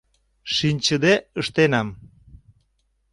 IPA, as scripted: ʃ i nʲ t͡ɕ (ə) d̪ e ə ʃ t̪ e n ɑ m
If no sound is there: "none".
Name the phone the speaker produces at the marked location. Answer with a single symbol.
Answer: ə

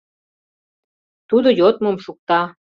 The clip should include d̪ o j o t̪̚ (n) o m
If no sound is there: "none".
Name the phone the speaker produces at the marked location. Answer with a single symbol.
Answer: m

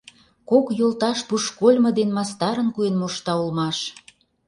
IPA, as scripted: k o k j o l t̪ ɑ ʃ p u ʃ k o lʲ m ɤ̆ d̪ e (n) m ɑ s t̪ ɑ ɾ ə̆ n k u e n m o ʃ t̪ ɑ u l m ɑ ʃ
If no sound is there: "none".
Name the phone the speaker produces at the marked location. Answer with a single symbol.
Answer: n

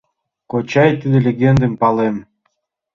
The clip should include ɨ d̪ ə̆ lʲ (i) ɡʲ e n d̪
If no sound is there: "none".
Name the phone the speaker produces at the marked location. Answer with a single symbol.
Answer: e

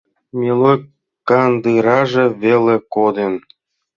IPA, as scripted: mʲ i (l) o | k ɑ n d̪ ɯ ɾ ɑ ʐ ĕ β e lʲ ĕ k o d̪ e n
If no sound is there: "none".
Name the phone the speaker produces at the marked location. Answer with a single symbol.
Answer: l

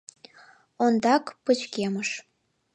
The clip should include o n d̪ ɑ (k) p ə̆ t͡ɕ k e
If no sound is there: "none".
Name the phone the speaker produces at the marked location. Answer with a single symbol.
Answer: k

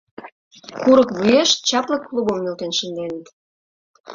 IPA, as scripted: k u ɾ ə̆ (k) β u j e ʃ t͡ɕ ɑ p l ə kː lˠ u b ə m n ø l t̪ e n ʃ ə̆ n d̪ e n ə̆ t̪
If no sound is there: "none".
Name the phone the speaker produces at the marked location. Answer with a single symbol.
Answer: k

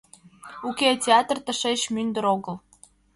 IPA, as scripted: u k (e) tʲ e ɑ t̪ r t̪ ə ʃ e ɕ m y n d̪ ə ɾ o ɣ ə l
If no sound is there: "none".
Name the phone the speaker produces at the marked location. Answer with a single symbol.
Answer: e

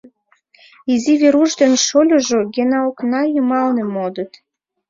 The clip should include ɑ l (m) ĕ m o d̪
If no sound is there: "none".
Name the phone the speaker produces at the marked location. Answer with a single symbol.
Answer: n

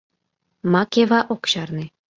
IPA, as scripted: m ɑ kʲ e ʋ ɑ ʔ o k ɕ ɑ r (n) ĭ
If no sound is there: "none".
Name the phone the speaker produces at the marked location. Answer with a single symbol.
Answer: n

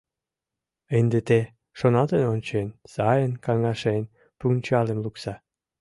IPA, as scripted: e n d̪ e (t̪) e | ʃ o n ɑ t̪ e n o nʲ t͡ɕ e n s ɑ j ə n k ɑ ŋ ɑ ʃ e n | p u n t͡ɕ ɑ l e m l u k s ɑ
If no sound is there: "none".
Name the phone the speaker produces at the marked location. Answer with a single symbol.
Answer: t̪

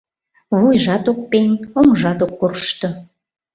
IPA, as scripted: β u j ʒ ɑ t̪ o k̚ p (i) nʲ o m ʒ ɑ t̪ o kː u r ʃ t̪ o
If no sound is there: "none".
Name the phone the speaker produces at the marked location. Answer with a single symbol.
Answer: e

